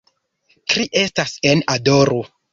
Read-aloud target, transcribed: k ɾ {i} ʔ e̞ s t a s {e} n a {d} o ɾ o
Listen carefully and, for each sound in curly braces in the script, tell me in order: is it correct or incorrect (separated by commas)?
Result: correct, correct, correct